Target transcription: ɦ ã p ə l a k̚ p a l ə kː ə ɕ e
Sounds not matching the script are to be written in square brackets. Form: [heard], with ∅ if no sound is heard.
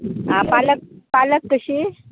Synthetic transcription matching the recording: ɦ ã p [a] l [ə] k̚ p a l ə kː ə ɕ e